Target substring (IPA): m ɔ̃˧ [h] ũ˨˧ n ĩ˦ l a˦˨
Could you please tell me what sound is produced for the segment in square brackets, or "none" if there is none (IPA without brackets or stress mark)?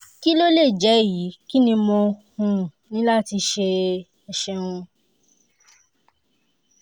h